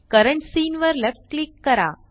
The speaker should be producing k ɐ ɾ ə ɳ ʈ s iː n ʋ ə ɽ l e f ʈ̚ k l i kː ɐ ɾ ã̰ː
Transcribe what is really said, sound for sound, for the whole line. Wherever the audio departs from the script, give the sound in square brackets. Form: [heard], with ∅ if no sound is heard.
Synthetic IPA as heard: k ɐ ɾ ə ɳ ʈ s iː n ʋ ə [ɾ] l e f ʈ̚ k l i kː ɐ ɾ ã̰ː